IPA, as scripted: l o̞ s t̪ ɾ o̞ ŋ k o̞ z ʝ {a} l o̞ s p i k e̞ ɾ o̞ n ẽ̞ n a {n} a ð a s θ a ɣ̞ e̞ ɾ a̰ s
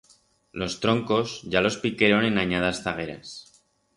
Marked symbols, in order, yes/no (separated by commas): yes, no